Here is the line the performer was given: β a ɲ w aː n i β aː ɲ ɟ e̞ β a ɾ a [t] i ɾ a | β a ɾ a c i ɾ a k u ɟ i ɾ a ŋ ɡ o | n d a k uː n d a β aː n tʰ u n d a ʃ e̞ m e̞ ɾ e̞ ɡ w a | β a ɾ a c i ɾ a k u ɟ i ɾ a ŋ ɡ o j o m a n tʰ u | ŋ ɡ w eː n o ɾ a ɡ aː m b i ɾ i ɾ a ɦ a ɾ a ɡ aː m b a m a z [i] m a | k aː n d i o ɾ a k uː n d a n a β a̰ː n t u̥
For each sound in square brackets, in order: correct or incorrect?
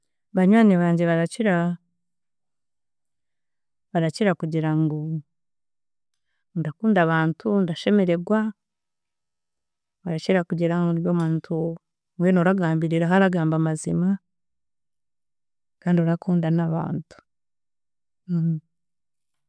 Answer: incorrect, correct

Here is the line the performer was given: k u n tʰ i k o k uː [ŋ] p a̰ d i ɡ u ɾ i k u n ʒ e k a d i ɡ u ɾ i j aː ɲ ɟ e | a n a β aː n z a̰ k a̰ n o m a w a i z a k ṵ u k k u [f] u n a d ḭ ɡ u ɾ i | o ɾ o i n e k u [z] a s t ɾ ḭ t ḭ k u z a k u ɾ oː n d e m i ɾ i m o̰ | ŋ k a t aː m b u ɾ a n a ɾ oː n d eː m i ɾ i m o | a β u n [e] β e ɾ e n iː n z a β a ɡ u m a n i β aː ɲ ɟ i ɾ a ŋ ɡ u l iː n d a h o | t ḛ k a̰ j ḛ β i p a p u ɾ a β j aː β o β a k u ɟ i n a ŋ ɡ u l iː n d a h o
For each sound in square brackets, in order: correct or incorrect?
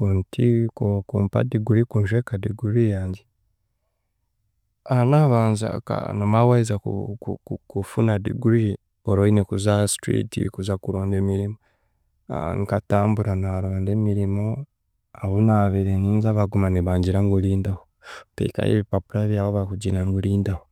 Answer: incorrect, correct, correct, incorrect

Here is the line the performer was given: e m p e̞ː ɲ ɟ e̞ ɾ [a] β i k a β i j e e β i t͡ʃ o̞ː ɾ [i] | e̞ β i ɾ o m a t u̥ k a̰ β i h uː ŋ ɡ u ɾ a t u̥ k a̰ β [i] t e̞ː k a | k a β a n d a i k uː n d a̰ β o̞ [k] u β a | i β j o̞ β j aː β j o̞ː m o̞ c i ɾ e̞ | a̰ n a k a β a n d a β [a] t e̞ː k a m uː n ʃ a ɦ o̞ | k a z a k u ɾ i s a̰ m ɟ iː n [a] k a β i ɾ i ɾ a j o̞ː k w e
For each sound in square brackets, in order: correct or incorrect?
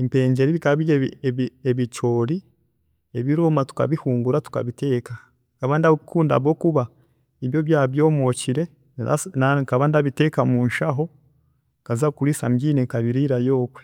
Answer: incorrect, correct, correct, correct, incorrect, incorrect

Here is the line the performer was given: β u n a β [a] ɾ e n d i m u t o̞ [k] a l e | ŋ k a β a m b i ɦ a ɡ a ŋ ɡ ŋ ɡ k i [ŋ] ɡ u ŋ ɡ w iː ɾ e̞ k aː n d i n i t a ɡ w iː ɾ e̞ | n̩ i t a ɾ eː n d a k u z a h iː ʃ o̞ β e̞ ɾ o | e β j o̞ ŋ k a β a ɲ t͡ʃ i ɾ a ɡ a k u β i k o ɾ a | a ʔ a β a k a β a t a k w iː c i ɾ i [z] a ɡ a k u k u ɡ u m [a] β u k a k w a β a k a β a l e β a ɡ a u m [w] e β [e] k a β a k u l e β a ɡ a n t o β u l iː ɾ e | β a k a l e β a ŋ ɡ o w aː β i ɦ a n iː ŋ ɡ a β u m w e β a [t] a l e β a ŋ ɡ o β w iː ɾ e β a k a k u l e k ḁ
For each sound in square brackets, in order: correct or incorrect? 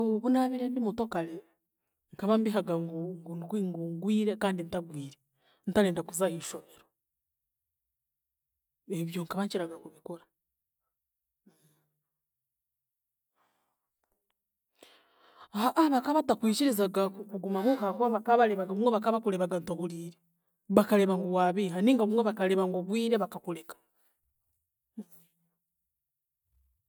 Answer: incorrect, correct, correct, correct, correct, correct, incorrect, incorrect

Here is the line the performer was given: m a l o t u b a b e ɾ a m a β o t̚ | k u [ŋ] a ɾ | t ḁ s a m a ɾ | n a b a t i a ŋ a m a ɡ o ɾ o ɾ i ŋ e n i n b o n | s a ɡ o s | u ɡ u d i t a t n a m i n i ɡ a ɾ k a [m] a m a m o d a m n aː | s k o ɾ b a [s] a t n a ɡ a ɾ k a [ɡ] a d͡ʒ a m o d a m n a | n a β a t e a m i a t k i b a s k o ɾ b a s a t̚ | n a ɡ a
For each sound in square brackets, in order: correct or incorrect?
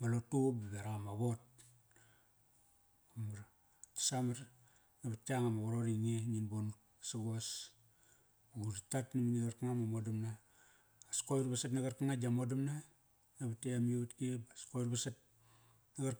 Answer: incorrect, incorrect, correct, incorrect

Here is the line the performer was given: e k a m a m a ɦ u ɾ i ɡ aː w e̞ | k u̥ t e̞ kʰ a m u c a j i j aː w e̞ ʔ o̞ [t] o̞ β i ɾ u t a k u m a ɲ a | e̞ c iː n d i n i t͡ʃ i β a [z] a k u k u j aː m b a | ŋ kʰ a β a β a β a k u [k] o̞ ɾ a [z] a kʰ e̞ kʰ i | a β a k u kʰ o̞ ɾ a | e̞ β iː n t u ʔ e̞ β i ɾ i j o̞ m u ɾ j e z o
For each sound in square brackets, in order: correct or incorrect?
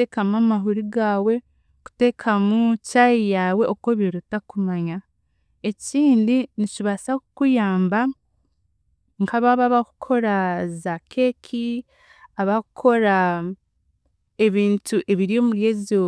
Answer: incorrect, incorrect, incorrect, correct

